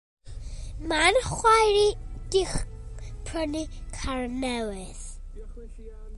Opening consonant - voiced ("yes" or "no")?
yes